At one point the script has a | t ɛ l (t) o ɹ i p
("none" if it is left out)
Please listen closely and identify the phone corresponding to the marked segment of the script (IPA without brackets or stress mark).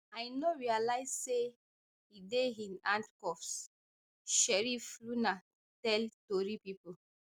t